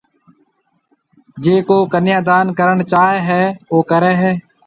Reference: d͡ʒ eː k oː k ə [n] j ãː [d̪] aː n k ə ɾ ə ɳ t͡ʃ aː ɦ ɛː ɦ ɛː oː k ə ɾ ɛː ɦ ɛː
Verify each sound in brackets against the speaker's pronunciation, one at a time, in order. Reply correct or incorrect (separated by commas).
correct, correct